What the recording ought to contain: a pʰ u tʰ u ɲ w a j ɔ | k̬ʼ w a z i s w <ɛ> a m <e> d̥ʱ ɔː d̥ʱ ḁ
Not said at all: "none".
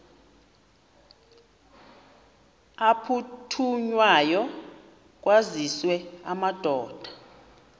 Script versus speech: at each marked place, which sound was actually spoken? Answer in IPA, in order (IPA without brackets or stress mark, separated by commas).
ɛ, a